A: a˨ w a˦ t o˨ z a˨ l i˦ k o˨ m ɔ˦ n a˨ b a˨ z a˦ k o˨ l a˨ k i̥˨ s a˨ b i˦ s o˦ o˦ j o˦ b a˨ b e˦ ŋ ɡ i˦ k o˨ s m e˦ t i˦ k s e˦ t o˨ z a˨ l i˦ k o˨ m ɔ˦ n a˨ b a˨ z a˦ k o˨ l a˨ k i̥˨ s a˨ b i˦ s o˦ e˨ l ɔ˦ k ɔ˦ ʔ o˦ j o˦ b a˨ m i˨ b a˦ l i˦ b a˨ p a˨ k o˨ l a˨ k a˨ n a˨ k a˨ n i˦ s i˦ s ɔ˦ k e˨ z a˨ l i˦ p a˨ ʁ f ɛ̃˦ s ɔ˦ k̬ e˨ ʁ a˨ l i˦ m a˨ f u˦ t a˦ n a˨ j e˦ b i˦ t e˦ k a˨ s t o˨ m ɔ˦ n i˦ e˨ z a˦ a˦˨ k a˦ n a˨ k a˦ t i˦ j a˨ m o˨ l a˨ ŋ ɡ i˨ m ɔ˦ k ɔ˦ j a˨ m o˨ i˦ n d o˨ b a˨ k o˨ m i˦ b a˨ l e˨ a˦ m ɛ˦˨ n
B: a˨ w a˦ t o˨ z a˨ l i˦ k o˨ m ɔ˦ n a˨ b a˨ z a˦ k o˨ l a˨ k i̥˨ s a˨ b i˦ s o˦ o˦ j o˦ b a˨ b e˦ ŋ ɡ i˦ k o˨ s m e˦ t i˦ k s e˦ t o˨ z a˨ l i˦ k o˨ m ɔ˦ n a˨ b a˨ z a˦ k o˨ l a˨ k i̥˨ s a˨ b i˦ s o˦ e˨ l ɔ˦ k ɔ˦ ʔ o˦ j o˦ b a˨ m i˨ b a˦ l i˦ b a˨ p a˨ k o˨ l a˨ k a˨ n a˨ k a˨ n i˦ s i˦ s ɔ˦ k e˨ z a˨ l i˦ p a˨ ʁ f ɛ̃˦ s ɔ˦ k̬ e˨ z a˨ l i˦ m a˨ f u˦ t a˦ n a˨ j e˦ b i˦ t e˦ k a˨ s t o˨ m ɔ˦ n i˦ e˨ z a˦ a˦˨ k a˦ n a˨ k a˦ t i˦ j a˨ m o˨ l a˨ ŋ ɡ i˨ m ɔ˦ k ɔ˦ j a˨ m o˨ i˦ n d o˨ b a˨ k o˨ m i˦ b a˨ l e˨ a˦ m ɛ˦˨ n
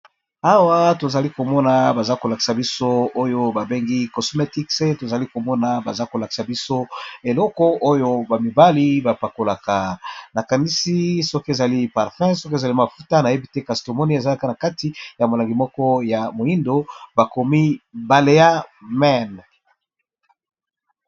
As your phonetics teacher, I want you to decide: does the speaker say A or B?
B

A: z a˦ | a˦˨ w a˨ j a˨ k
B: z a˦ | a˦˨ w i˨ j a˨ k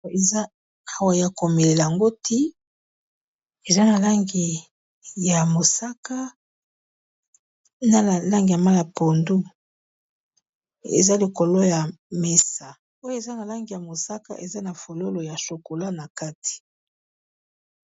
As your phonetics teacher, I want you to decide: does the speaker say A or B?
A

